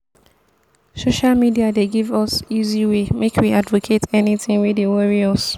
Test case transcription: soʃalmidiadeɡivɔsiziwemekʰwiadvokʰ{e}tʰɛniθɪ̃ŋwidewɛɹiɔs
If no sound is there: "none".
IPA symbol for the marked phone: e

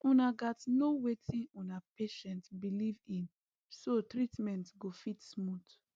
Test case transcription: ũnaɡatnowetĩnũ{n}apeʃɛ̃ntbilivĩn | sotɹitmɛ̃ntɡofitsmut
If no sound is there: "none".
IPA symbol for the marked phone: n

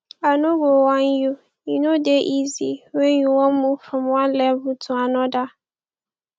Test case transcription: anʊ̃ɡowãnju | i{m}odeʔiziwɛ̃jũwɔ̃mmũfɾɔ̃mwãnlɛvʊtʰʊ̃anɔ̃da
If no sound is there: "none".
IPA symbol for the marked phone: n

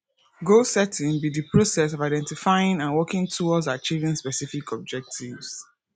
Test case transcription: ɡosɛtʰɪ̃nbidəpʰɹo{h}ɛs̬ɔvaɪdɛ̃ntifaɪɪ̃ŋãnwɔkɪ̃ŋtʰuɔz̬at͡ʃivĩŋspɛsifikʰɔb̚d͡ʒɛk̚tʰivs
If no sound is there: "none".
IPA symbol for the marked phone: s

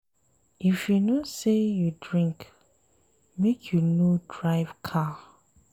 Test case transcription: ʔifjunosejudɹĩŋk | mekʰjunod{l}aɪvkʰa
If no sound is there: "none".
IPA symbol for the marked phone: ɹ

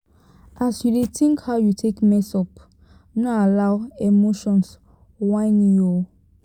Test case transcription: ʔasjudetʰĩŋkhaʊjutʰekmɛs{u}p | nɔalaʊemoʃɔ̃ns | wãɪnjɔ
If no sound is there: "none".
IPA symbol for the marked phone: ɔ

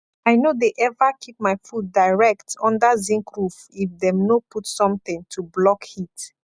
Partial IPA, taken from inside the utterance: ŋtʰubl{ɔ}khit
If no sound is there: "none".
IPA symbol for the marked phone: ɔ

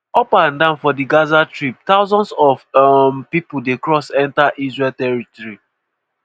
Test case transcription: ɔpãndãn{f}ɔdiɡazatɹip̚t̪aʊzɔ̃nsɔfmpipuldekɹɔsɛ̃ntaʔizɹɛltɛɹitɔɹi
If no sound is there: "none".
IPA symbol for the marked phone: f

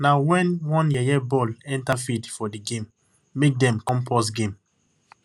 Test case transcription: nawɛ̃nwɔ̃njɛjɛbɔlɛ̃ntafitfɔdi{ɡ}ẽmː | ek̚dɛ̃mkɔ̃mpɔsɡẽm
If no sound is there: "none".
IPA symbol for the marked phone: ɡ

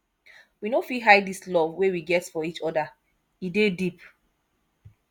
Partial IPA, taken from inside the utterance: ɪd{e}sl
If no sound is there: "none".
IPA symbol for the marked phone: i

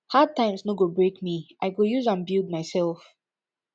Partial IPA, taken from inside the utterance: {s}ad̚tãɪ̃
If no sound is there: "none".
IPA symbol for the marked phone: h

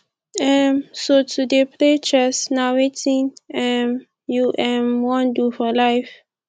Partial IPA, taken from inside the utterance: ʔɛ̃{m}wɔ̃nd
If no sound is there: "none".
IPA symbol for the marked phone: m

